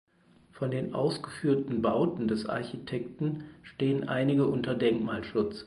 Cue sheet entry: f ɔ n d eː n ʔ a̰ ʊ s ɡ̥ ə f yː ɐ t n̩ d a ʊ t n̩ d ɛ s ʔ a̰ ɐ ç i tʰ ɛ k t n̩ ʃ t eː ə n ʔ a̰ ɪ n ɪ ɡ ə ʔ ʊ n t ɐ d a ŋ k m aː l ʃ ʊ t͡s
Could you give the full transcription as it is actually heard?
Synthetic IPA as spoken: f ɔ n d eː n ʔ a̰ ʊ s ɡ̥ ə f yː ɐ t n̩ b a ʊ t n̩ d ɛ s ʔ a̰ ɐ ç i tʰ ɛ k t n̩ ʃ t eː ə n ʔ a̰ ɪ n ɪ ɡ ə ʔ ʊ n t ɐ d ɛ ŋ k m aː l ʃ ʊ t͡s